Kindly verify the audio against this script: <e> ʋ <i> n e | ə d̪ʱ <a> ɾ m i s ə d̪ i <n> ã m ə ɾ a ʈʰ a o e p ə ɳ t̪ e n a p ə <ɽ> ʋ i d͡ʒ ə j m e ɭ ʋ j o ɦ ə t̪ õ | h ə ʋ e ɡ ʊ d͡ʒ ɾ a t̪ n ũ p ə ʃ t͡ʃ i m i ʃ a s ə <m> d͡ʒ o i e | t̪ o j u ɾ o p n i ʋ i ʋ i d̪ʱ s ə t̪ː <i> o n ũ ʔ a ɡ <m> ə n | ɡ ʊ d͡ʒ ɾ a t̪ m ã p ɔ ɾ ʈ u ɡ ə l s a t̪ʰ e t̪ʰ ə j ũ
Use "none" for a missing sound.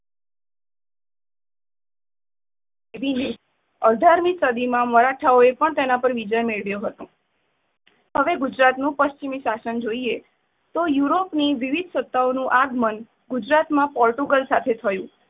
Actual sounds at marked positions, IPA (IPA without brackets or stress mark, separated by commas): e, i, a, m, ɾ, n, a, m